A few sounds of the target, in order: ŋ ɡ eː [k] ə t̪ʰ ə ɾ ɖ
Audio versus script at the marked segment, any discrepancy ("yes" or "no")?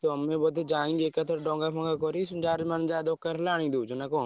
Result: no